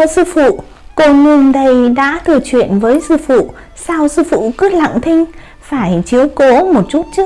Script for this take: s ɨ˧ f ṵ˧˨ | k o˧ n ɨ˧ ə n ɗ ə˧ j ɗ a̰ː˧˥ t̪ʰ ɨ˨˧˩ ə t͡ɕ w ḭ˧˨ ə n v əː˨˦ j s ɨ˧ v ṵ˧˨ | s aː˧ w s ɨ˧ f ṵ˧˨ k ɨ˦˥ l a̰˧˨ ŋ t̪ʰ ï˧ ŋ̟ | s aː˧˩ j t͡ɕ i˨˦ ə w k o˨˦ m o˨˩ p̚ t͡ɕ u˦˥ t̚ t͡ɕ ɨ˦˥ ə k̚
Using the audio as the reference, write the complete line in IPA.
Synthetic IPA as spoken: s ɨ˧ f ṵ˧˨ | k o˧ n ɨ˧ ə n ɗ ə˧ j ɗ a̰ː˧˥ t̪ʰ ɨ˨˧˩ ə t͡ɕ w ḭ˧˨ ə n v əː˨˦ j s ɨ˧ f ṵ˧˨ | s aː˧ w s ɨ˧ f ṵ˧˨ k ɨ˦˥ l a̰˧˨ ŋ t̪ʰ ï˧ ŋ̟ | f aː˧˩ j t͡ɕ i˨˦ ə w k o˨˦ m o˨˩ t̚ t͡ɕ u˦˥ t̚ t͡ɕ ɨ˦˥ ə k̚

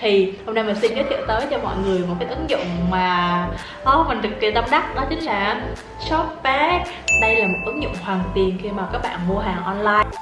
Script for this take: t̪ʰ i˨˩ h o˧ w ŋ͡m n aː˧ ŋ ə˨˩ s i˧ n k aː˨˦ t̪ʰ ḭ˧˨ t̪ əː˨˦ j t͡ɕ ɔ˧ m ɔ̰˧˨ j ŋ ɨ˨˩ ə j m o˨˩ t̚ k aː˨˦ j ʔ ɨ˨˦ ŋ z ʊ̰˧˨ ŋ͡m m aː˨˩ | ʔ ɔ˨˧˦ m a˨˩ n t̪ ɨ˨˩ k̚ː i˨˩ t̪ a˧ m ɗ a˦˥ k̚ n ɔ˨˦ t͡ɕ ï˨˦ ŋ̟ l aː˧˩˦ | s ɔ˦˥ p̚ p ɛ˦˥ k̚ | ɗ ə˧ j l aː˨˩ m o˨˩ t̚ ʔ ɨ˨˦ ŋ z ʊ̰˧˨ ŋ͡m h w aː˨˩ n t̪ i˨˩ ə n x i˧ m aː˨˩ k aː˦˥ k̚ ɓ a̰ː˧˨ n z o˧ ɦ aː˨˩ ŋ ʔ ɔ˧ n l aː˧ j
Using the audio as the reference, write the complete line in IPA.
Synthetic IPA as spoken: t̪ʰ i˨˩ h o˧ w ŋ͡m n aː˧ m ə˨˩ s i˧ n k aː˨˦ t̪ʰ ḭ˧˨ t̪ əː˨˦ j t͡ɕ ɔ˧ m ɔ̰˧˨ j ŋ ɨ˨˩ ə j m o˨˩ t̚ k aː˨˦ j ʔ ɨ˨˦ ŋ z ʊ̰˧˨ ŋ͡m m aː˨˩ | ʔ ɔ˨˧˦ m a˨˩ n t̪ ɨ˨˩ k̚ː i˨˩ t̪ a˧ m ɗ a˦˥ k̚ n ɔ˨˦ t͡ɕ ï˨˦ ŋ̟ l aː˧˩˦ | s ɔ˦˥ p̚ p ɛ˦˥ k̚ | ɗ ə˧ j l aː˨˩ m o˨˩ t̚ ʔ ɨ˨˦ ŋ z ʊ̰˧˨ ŋ͡m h w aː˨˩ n t̪ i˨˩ ə n x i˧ m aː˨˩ k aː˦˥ k̚ ɓ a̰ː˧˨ n v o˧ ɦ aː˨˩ ŋ ʔ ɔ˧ n l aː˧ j

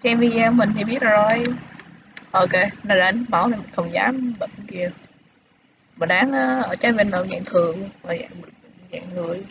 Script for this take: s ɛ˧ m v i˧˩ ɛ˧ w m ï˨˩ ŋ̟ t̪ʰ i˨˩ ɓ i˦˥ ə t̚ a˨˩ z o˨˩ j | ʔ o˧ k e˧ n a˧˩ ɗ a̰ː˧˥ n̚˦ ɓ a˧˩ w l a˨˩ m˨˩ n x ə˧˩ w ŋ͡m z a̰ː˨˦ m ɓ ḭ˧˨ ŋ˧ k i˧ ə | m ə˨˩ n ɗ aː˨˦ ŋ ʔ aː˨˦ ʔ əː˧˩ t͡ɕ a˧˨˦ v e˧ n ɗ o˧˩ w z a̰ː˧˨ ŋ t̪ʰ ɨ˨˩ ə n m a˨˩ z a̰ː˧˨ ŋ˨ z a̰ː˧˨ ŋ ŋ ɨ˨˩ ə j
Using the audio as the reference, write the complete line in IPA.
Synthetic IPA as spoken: s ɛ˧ m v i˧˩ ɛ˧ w m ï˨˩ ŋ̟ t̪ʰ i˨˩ ɓ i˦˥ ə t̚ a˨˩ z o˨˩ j | ʔ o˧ k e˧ n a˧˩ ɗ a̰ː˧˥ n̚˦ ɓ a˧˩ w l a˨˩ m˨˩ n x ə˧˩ w ŋ͡m z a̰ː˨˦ m ɓ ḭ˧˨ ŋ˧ k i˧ ə | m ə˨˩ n ɗ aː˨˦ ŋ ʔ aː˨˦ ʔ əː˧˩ t͡ɕ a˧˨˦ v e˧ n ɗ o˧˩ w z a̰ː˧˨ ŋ t̪ʰ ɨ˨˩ ə ŋ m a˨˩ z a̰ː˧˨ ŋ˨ z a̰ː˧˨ ŋ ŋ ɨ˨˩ ə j

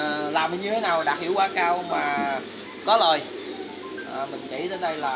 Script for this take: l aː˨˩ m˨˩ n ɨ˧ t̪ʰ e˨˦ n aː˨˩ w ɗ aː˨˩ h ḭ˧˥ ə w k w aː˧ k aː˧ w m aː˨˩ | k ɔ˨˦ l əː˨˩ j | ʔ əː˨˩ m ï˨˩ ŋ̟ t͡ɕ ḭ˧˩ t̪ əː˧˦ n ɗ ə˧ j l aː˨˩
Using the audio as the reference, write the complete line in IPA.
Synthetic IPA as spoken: l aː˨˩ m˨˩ ɲ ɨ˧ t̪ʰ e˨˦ n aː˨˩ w ɗ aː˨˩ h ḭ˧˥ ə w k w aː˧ k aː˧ w m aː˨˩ | k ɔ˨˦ l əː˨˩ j | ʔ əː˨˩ m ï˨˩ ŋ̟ t͡ɕ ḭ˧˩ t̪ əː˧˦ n ɗ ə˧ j l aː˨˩

